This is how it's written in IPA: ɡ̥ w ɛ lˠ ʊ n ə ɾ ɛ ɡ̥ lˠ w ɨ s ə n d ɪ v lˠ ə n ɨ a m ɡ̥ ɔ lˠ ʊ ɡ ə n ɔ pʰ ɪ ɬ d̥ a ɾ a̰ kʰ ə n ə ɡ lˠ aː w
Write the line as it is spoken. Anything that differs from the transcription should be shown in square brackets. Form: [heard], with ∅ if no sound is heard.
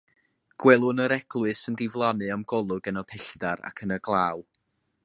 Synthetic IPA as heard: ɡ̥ w ɛ lˠ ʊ n ə ɾ ɛ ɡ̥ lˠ w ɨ s ə n d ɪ v lˠ [a] n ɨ a m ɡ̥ ɔ lˠ ʊ ɡ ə n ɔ pʰ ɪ ɬ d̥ a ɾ a̰ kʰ ə n ə ɡ lˠ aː w

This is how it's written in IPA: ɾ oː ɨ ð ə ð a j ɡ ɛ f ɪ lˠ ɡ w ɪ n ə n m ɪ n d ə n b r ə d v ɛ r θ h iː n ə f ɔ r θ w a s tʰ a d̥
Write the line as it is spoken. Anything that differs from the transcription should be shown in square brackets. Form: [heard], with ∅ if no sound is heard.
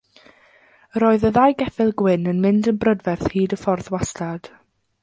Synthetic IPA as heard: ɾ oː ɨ ð ə ð a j ɡ ɛ f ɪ lˠ ɡ w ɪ n ə n m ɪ n d ə n b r ə d v ɛ r θ h iː [d] ə f ɔ r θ w a s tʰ a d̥

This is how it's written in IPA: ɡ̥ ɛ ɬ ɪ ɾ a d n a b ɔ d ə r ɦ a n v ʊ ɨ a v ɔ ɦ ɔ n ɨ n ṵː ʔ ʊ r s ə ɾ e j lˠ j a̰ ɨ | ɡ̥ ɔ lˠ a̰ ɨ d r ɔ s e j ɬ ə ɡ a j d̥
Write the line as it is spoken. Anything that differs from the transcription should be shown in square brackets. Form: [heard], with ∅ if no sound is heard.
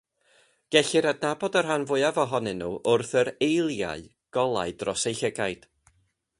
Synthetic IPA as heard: ɡ̥ ɛ ɬ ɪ ɾ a d n a b ɔ d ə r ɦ a n v ʊ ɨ a v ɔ ɦ ɔ n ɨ n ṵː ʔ ʊ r [θ] ə ɾ e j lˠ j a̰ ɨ | ɡ̥ ɔ lˠ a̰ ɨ d r ɔ s e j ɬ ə ɡ a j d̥

